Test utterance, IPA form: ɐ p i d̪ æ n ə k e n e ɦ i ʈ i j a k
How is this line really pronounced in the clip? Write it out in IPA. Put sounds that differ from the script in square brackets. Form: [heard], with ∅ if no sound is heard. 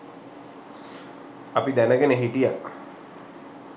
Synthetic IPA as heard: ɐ p i d̪ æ n ə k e n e ɦ i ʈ i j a k